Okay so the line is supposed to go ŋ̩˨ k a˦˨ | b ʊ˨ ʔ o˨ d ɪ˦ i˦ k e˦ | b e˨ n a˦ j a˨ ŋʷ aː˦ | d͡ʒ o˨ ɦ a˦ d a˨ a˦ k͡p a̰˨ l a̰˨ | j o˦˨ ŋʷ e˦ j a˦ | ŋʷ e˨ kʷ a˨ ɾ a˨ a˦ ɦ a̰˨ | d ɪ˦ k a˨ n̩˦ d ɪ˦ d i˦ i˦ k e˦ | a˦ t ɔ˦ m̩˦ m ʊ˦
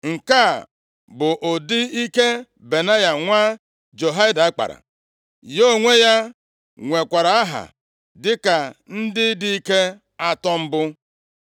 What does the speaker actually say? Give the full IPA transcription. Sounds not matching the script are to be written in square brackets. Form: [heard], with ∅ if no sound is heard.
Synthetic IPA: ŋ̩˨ k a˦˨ | b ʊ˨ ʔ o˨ d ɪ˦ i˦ k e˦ | b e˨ n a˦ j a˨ ŋʷ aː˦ | d͡ʒ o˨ ɦ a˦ d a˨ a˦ k͡p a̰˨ [ɾ] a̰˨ | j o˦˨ ŋʷ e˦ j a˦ | ŋʷ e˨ kʷ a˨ ɾ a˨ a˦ ɦ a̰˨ | d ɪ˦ k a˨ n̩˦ d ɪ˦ d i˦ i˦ k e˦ | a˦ t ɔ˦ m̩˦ [b] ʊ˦

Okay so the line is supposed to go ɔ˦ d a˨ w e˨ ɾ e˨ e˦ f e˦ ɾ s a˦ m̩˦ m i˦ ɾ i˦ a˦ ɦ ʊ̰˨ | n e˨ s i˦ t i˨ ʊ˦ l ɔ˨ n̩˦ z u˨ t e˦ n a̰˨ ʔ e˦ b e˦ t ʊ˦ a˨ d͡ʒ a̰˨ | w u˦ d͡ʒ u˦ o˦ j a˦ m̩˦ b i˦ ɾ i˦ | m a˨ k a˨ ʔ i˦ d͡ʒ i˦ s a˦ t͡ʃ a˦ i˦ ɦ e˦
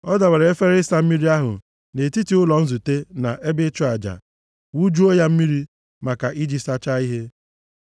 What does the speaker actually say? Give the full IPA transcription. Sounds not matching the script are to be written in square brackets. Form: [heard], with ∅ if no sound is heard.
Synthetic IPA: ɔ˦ d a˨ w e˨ ɾ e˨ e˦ f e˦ ɾ s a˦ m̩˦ m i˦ ɾ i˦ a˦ ɦ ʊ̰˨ | n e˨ [t] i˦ t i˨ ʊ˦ l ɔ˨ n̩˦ z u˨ t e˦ n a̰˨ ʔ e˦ b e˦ [t͡ʃ] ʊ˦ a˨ d͡ʒ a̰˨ | w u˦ d͡ʒ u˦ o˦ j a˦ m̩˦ [m] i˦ ɾ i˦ | m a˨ k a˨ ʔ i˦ d͡ʒ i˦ s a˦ t͡ʃ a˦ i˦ ɦ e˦

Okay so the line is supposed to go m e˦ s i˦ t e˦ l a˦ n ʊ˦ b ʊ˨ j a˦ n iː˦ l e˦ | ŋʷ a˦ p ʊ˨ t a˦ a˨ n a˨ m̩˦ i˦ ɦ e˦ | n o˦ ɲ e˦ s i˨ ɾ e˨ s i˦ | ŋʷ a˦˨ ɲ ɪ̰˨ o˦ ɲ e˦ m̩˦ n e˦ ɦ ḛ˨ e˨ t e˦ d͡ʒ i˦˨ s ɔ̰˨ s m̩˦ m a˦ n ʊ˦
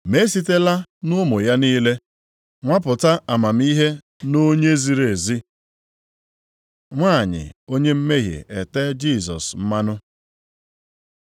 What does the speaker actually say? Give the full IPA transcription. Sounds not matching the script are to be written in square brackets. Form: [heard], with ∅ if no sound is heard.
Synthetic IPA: m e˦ s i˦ t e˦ l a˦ n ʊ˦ [m] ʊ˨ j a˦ n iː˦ l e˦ | ŋʷ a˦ p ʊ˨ t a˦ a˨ [m] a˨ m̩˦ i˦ ɦ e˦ | n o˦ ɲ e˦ [z] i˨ ɾ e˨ [z] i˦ | ŋʷ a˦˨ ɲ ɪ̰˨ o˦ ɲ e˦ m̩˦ [m] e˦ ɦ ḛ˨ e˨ t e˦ d͡ʒ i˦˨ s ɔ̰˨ s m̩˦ m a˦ n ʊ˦

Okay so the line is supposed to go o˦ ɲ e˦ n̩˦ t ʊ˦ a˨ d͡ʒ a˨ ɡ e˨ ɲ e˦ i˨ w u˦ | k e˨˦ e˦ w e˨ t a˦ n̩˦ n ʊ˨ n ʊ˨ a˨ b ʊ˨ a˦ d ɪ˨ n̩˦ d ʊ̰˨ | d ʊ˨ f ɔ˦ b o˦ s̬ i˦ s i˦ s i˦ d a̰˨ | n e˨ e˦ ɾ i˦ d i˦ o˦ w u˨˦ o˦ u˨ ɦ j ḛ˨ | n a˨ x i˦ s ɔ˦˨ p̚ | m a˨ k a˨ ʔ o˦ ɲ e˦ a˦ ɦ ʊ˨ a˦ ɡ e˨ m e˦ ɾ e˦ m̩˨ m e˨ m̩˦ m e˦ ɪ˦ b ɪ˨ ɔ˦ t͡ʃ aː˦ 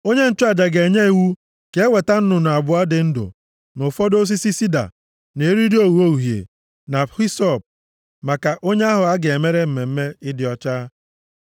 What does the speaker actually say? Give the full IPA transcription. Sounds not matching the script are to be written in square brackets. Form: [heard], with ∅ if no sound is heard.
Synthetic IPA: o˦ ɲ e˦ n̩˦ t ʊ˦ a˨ d͡ʒ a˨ ɡ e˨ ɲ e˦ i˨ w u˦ | k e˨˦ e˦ w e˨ t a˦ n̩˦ n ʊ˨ n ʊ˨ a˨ b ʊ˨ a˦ d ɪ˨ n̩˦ d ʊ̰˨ | [n] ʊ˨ f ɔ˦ [d] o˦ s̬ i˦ s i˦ s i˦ d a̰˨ | n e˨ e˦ ɾ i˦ d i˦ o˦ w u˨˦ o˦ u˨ ɦ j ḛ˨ | n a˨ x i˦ s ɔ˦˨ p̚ | m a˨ k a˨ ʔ o˦ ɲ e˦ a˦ ɦ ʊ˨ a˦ ɡ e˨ m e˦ ɾ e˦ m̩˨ m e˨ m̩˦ m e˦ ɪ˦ [d] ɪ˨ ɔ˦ t͡ʃ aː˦

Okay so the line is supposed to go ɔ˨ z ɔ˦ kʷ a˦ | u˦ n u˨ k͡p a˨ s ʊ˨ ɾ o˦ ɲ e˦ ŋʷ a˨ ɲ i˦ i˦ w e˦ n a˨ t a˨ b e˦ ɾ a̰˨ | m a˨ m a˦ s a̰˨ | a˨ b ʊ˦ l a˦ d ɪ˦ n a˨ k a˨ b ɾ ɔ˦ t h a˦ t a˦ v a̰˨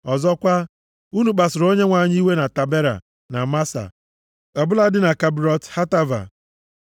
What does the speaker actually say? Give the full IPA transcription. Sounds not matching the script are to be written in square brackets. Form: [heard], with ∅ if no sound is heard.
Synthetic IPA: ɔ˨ z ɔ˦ kʷ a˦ | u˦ n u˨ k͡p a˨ s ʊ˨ ɾ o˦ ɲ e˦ ŋʷ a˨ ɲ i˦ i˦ w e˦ n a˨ t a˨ b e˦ ɾ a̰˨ | [n] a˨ m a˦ s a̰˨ | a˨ b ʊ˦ l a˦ d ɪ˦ n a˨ k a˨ b ɾ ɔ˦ t h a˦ t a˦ v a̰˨

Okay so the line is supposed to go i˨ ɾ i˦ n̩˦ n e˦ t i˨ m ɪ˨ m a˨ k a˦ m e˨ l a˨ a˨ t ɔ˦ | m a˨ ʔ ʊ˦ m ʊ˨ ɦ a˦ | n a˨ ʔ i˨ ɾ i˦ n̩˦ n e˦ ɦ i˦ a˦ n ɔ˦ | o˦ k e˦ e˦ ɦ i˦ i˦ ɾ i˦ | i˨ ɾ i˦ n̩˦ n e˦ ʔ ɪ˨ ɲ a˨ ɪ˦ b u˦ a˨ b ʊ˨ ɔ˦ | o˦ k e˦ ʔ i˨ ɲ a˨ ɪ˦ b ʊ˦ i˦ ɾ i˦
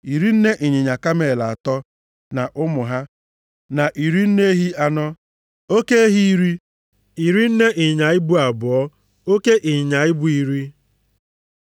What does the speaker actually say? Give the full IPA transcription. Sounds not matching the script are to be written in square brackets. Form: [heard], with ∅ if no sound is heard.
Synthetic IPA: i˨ ɾ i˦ n̩˦ n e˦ [ʔ] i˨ [ɲ] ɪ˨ [ɲ] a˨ k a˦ m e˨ l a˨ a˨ t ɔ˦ | [n] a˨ ʔ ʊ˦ m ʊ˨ ɦ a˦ | n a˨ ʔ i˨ ɾ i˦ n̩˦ n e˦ ɦ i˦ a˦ n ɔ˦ | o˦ k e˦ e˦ ɦ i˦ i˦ ɾ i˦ | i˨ ɾ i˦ n̩˦ n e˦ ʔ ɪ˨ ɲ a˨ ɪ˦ b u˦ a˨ b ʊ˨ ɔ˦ | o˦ k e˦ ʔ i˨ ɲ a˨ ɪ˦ b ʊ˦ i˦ ɾ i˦

